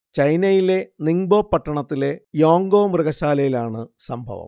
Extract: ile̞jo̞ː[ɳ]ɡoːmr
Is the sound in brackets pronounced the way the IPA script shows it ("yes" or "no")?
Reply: no